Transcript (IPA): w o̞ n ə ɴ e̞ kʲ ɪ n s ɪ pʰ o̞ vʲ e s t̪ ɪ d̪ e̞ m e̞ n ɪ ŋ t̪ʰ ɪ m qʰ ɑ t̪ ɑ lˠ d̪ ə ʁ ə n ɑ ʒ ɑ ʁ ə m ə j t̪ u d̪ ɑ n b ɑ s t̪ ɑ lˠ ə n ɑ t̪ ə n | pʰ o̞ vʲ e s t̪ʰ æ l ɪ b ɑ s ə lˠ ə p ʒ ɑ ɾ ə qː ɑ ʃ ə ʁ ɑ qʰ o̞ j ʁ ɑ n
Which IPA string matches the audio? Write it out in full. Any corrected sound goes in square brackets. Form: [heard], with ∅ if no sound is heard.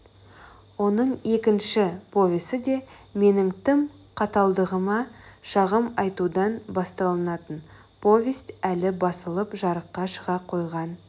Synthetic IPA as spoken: w o̞ n ə ɴ e̞ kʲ ɪ n [ʃ] ɪ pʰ o̞ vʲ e s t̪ ɪ d̪ e̞ m e̞ n ɪ ŋ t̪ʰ ɪ m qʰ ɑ t̪ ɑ lˠ d̪ ə ʁ ə [m] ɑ [ʃ] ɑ ʁ ə m [ɑ] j t̪ u d̪ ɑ n b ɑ s t̪ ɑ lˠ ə n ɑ t̪ ə n | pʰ o̞ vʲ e s [t̪] æ l ɪ b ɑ s ə lˠ ə p ʒ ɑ ɾ ə qː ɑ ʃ ə ʁ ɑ qʰ o̞ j ʁ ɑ n